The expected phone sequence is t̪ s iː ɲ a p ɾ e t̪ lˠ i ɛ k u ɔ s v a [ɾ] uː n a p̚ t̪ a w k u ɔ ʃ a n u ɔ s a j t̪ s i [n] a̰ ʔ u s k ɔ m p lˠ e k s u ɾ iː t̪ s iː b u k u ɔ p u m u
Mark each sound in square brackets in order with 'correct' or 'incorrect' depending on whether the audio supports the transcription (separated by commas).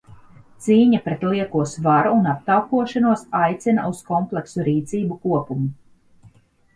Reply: correct, correct